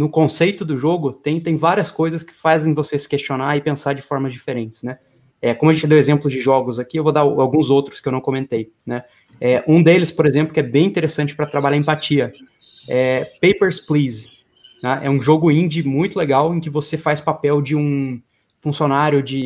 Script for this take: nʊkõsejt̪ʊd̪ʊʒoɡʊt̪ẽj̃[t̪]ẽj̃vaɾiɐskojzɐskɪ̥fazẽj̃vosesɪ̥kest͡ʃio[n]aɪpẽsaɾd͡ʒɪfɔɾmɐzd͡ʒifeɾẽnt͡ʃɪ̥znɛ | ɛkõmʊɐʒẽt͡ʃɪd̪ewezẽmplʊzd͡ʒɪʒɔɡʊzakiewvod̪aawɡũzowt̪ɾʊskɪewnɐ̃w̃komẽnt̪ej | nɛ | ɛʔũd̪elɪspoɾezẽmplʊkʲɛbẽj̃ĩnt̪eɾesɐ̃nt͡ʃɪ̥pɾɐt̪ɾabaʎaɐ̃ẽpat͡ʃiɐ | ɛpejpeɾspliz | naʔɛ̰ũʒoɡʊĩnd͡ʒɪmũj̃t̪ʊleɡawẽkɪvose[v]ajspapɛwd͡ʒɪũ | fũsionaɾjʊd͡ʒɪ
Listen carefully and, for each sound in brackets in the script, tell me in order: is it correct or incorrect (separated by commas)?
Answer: correct, correct, incorrect